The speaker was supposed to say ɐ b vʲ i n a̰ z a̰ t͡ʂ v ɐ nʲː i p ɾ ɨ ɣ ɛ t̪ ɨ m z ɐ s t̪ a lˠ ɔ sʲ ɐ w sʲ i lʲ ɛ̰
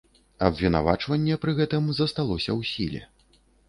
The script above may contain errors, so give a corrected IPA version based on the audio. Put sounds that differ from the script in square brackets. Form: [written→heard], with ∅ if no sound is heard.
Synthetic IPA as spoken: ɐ b vʲ i n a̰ [z→v] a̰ t͡ʂ v ɐ nʲː [i→ɛ] p ɾ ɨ ɣ ɛ t̪ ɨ m z ɐ s t̪ a lˠ ɔ sʲ ɐ w sʲ i lʲ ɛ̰